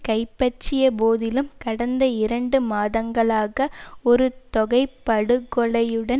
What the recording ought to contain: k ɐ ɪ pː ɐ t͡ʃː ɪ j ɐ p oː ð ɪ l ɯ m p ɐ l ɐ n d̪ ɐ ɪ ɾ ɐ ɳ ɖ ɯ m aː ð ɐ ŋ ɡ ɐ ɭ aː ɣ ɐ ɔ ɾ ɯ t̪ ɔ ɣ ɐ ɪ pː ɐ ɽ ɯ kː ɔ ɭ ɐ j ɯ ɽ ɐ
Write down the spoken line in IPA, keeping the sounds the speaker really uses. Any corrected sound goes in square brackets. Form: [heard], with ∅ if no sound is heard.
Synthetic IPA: k ɐ ɪ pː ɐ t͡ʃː ɪ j ɐ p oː ð ɪ l ɯ m [k] ɐ [ɽ] ɐ n d̪ ɐ ɪ ɾ ɐ ɳ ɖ ɯ m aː ð ɐ ŋ ɡ ɐ ɭ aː ɣ ɐ ɔ ɾ ɯ t̪ ɔ ɣ ɐ ɪ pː ɐ ɽ ɯ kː ɔ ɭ ɐ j ɯ ɽ ɐ

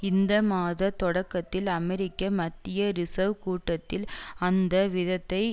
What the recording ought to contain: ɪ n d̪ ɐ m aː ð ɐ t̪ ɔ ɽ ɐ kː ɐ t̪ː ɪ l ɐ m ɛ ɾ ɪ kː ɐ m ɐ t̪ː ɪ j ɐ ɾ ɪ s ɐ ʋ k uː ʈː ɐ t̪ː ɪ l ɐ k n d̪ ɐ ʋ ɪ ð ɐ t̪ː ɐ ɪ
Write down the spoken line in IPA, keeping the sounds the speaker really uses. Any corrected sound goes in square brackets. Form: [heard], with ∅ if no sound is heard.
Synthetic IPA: ɪ n d̪ ɐ m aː ð ɐ t̪ ɔ ɽ ɐ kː ɐ t̪ː ɪ l ɐ m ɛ ɾ ɪ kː ɐ m ɐ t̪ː ɪ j ɐ ɾ ɪ s ɐ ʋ k uː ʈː ɐ t̪ː ɪ l ɐ [∅] n d̪ ɐ ʋ ɪ ð ɐ t̪ː ɐ ɪ

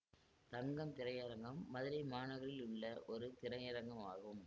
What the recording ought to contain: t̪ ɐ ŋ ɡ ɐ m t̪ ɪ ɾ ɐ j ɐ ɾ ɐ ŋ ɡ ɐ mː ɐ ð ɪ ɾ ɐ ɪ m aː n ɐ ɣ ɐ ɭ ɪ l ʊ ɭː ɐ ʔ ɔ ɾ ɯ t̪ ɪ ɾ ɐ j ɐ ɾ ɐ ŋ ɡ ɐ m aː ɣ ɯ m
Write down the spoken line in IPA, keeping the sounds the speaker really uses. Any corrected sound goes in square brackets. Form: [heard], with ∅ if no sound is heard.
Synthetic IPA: t̪ ɐ ŋ ɡ ɐ m t̪ ɪ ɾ ɐ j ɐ ɾ ɐ ŋ ɡ ɐ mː ɐ ð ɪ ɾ ɐ ɪ m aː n ɐ ɣ ɐ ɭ ɪ l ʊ ɭː ɐ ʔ ɔ ɾ ɯ t̪ ɪ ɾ ɐ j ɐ ɾ ɐ ŋ ɡ ɐ m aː ɣ ɯ m

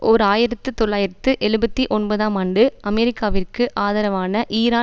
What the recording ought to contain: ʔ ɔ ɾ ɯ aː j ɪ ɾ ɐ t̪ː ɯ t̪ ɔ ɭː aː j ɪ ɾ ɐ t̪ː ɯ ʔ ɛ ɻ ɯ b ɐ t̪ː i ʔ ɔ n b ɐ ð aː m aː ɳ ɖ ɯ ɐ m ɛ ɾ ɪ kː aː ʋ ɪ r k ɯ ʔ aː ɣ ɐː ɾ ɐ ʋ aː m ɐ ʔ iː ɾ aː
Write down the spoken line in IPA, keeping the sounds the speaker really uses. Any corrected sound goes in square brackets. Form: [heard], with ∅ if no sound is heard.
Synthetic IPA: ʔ ɔ ɾ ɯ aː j ɪ ɾ ɐ t̪ː ɯ t̪ ɔ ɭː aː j ɪ ɾ ɐ t̪ː ɯ ʔ ɛ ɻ ɯ b ɐ t̪ː i ʔ ɔ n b ɐ ð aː m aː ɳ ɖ ɯ ɐ m ɛ ɾ ɪ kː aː ʋ ɪ r k ɯ ʔ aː [ð] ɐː ɾ ɐ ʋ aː [n] ɐ ʔ iː ɾ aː

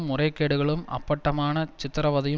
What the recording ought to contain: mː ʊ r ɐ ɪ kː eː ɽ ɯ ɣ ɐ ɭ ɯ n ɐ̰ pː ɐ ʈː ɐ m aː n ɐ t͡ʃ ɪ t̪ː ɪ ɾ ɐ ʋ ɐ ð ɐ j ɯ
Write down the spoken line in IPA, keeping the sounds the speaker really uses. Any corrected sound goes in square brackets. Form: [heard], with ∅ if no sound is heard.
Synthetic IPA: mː ʊ r ɐ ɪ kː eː ɽ ɯ ɣ ɐ ɭ ɯ [m] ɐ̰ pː ɐ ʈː ɐ m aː n ɐ t͡ʃ ɪ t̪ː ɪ ɾ ɐ ʋ ɐ ð ɐ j ɯ

